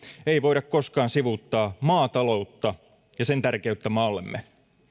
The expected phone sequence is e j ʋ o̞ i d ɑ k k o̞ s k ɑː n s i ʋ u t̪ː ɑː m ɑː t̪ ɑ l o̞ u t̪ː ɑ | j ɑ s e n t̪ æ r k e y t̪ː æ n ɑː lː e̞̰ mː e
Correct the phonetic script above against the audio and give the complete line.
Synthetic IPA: e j ʋ o̞ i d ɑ k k o̞ s k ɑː n s i ʋ u t̪ː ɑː m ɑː t̪ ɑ l o̞ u t̪ː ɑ | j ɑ s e n t̪ æ r k e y t̪ː æ m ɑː lː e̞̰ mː e